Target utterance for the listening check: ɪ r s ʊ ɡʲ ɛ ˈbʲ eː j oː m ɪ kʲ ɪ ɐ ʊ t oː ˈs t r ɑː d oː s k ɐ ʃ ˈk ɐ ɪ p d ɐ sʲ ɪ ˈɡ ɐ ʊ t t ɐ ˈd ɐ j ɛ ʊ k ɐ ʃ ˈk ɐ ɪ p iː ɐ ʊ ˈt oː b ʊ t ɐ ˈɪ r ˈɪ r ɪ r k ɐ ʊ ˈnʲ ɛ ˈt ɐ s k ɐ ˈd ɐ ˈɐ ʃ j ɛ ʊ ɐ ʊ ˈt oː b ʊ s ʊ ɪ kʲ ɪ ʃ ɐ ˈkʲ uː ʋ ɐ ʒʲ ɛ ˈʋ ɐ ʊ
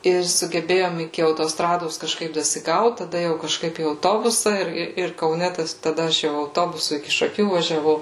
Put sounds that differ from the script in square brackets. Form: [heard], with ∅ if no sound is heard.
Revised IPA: ɪ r s ʊ ɡʲ ɛ ˈbʲ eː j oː m ɪ kʲ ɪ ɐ ʊ t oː ˈs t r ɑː d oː s k ɐ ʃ ˈk ɐ ɪ p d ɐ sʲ ɪ ˈɡ ɐ ʊ t t ɐ ˈd ɐ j ɛ ʊ k ɐ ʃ ˈk ɐ ɪ p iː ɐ ʊ ˈt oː b ʊ [s] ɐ ˈɪ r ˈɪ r ɪ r k ɐ ʊ ˈnʲ ɛ ˈt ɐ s [t] ɐ ˈd ɐ ˈɐ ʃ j ɛ ʊ ɐ ʊ ˈt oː b ʊ s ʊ ɪ kʲ ɪ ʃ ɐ ˈkʲ uː ʋ ɐ ʒʲ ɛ ˈʋ ɐ ʊ